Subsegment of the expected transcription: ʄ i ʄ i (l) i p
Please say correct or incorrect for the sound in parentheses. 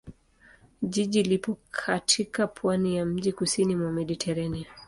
correct